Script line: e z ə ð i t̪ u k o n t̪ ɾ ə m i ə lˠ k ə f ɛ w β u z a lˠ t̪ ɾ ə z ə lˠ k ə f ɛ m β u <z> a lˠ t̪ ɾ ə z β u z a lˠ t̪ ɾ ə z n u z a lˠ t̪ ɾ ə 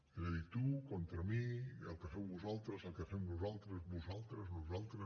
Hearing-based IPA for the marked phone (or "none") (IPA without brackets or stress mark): z